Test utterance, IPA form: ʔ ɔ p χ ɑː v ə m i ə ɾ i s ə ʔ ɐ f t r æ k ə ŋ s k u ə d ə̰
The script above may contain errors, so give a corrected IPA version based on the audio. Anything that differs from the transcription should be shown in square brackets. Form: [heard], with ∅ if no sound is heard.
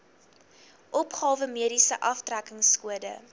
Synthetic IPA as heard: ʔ ɔ p χ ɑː v ə m i ə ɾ i s ə ʔ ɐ f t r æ k ə ŋ s k u ə d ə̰